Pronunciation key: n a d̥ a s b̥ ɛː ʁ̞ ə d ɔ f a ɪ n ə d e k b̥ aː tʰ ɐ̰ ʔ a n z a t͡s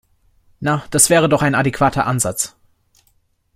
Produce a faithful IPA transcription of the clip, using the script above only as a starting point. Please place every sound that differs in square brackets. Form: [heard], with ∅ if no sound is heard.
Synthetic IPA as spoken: n a d̥ a s [v̥] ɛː ʁ̞ ə d ɔ [χ] a ɪ n [a] d e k [v̥] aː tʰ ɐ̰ ʔ a n z a t͡s

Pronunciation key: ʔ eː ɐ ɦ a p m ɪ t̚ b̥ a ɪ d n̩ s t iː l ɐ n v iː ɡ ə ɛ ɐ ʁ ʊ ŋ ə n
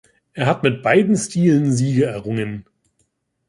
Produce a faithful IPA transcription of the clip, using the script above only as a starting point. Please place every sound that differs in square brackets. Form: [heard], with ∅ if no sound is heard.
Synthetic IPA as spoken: ʔ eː ɐ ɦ a [t] m ɪ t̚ b̥ a ɪ d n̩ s t iː l [ə] n [z] iː ɡ ə ɛ ɐ ʁ ʊ ŋ ə n

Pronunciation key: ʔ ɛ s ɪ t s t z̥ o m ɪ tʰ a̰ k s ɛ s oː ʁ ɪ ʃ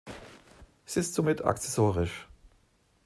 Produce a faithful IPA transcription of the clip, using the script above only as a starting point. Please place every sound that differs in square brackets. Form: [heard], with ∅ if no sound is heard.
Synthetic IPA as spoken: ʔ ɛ s ɪ [∅] s t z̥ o m ɪ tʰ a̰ k [t͡s] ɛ s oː ʁ ɪ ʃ

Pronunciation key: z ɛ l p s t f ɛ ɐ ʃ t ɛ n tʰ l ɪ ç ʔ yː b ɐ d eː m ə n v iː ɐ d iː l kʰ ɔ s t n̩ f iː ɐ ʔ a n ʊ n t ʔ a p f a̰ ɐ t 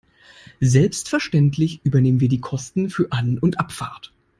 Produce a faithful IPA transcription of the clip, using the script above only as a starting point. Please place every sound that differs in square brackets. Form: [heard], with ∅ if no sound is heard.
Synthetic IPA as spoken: z ɛ l p s t f ɛ ɐ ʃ t ɛ n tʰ l ɪ ç ʔ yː b ɐ [n] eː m ə n v iː ɐ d iː [∅] kʰ ɔ s t n̩ f [yː] ɐ ʔ a n ʊ n t ʔ a p f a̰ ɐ t

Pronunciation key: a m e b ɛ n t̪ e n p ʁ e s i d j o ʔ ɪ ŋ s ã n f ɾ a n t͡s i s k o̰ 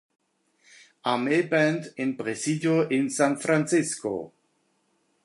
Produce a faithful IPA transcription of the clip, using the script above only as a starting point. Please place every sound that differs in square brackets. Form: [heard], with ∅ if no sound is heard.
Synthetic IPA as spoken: a m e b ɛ n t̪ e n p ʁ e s i d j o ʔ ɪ [n] s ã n f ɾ a n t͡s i s k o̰

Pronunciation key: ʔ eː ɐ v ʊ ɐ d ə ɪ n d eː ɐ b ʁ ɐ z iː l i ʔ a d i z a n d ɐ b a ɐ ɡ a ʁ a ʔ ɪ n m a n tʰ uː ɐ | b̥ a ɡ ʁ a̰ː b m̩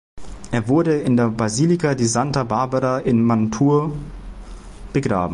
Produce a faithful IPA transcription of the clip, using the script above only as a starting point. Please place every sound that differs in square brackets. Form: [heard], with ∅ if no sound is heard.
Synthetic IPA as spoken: ʔ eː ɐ v ʊ ɐ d ə ɪ n d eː ɐ b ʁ [a] z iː l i [k] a d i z a n [t] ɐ b a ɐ [b] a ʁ a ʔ ɪ n m a n tʰ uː ɐ | b̥ [ə] ɡ ʁ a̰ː b m̩

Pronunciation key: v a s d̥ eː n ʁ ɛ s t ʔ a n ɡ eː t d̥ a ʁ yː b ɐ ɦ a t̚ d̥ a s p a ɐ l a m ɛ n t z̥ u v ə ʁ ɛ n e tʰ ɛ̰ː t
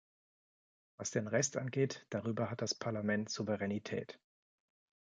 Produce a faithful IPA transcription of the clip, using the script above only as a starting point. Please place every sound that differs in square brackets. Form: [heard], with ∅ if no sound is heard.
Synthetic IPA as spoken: v a s d̥ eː n ʁ ɛ s t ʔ a n ɡ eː t d̥ a ʁ yː b ɐ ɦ a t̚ d̥ a s [pʰ] a ɐ l a m ɛ n t z̥ u v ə ʁ ɛ n [i] tʰ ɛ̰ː t

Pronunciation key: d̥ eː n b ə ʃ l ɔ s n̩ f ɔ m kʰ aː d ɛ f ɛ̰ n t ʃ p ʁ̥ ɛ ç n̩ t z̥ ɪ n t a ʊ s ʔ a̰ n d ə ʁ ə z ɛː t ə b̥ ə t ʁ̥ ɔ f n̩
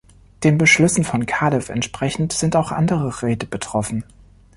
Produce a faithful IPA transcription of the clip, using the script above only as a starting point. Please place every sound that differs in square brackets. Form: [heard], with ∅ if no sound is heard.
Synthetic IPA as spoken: d̥ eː n b ə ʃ l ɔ s n̩ f ɔ [n] kʰ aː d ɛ f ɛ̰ n t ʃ p ʁ̥ ɛ ç n̩ t z̥ ɪ n t a ʊ [x] ʔ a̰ n d ə ʁ ə [ʁ] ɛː t ə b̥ ə t ʁ̥ ɔ f n̩

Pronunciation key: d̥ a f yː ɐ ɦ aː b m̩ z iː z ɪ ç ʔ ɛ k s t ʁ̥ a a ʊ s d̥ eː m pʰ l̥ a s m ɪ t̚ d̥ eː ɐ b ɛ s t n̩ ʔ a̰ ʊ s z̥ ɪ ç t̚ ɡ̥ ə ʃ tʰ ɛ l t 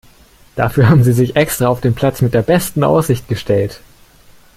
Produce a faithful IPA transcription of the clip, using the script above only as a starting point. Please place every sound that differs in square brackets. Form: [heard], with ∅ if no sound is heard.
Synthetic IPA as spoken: d̥ a f yː ɐ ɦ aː b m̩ z iː z ɪ ç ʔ ɛ k s t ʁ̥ a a ʊ [f] d̥ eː [n] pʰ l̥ a [t͡s] m ɪ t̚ d̥ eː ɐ b ɛ s t n̩ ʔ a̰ ʊ s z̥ ɪ ç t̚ ɡ̥ ə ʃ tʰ ɛ l t

